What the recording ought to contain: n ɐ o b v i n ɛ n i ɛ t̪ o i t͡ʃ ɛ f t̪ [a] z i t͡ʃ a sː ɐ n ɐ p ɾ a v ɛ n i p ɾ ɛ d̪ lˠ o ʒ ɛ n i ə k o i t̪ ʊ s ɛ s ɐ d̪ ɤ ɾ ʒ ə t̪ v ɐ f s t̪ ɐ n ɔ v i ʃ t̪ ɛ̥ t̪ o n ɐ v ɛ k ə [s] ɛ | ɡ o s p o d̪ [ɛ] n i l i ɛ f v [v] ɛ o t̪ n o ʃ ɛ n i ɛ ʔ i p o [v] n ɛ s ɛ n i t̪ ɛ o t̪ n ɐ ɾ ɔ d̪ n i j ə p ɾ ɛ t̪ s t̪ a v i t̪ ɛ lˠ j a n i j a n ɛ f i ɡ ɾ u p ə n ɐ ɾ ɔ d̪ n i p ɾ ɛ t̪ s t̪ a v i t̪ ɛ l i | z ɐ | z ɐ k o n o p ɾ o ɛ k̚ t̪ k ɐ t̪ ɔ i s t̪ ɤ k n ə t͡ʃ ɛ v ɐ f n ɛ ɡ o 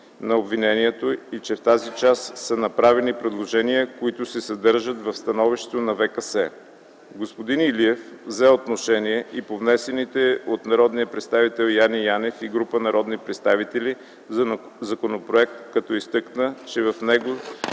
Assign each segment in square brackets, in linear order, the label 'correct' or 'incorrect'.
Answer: correct, correct, incorrect, incorrect, correct

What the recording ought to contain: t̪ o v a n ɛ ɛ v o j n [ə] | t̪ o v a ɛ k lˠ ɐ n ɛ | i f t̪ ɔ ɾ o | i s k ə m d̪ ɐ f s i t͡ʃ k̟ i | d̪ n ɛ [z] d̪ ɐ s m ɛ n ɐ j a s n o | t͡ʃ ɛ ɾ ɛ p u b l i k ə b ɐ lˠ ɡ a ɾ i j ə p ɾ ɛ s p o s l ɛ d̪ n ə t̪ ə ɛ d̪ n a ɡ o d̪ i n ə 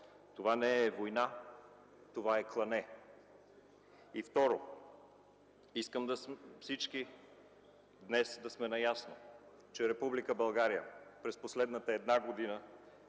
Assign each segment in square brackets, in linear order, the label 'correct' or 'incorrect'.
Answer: incorrect, incorrect

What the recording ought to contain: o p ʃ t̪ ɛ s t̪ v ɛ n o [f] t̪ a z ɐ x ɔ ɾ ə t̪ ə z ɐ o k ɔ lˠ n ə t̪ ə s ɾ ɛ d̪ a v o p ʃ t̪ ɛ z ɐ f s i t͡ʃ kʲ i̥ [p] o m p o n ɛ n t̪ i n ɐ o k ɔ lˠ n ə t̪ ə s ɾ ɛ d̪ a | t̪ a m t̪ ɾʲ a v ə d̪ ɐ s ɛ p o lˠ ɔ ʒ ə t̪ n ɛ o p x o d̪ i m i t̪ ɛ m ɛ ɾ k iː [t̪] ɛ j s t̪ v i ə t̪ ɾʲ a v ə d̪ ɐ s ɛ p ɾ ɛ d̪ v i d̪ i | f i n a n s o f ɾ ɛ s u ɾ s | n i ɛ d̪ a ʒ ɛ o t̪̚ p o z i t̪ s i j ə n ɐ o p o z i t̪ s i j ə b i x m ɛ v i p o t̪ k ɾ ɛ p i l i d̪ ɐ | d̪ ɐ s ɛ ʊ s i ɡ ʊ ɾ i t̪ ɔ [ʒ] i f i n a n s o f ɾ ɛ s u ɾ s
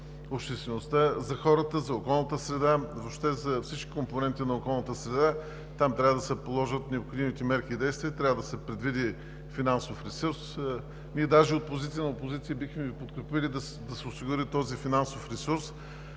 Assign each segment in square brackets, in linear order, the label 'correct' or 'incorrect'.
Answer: incorrect, incorrect, incorrect, incorrect

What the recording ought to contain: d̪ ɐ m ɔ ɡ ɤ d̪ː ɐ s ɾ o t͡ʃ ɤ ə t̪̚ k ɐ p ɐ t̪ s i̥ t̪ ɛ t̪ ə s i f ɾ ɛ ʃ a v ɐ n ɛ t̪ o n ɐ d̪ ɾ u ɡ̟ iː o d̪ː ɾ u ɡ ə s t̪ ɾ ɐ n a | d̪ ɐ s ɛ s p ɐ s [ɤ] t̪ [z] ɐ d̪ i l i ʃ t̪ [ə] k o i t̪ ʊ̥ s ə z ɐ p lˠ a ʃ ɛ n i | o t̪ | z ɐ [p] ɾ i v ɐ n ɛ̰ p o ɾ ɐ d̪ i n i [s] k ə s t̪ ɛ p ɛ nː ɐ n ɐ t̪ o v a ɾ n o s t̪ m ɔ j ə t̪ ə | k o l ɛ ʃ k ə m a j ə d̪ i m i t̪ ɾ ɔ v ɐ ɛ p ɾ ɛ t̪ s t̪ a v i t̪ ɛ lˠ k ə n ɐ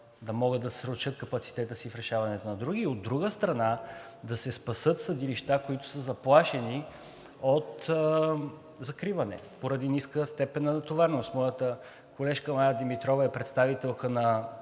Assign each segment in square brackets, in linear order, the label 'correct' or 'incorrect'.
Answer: correct, incorrect, incorrect, incorrect, correct

